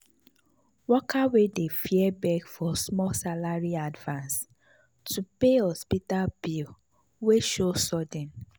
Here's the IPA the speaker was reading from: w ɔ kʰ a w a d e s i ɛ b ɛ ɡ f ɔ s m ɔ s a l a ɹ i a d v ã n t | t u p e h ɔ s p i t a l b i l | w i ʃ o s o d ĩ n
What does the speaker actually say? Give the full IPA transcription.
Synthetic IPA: w ɔ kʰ a w e d e f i ɛ b ɛ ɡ f ɔ s m ɔ s a l a ɹ i a d v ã n s | t u p e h ɔ s p i t a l b i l | w e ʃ o s ɔ d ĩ n